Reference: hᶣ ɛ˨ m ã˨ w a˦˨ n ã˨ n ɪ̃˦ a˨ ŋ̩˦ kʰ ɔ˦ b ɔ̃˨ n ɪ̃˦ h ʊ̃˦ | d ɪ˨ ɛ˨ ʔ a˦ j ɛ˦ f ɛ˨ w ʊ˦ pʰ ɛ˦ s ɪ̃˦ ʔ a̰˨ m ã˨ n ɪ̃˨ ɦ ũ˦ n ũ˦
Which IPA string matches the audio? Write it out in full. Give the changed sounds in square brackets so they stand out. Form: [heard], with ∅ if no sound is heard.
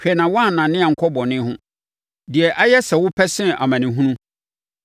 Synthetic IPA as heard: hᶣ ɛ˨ [n] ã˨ w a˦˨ n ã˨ n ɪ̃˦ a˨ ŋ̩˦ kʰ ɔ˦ b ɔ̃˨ n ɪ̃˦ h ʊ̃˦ | d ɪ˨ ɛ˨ ʔ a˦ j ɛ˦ [s] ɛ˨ w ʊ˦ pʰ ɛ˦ s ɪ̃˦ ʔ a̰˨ m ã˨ n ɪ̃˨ ɦ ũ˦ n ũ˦